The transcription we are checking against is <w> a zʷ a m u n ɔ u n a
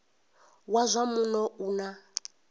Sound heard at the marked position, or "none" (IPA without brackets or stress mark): w